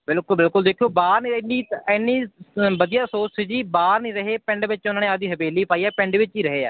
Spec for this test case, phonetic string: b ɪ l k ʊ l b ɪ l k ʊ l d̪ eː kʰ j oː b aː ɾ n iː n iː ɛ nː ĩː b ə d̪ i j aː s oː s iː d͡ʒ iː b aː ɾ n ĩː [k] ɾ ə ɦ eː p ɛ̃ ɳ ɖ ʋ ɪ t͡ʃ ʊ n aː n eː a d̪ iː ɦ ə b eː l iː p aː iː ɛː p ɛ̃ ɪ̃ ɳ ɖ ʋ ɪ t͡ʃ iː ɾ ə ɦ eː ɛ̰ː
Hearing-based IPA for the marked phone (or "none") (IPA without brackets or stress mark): none